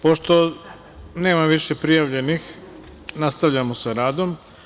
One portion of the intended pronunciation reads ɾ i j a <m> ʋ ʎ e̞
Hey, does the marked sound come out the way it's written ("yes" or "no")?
no